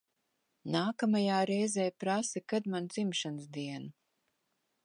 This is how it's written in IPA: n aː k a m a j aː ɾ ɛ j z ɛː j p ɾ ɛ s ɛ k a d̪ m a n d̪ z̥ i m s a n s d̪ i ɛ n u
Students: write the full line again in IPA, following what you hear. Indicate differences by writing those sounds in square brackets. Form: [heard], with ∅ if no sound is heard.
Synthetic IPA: n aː k a m a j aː ɾ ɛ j z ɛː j p ɾ [a] s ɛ k a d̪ m a n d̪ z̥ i m [ʃ] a n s d̪ i ɛ n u